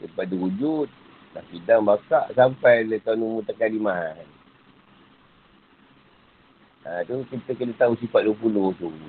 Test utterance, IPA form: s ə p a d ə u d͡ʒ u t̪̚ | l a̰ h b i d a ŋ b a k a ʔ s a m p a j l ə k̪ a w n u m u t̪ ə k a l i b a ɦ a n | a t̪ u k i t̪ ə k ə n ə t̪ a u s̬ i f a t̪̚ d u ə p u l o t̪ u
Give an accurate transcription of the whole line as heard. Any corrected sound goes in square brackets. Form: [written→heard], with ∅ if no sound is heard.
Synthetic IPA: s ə p a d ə u d͡ʒ u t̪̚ | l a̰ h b i d a ŋ b a k a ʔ s a m p a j l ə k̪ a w n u m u t̪ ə k a l i [b→m] a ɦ a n | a t̪ u k i t̪ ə k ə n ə t̪ a u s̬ i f a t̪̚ d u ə p u l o t̪ u